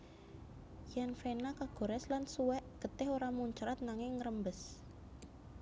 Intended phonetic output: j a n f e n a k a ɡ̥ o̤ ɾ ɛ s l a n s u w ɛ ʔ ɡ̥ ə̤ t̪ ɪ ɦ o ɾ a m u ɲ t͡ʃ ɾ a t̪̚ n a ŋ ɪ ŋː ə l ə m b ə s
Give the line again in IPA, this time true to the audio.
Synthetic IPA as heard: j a n f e n a k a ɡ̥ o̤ ɾ ɛ s l a n s u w ɛ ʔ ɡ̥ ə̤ t̪ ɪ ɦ o ɾ a m u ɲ t͡ʃ ɾ a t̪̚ n a ŋ ɪ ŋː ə ɾ ə m b ə s